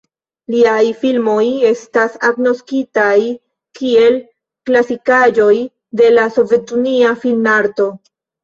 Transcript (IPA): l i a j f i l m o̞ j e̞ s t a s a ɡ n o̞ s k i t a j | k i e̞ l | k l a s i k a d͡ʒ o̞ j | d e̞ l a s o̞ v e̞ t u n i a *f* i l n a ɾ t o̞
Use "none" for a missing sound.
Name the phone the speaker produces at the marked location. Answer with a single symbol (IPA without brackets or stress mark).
f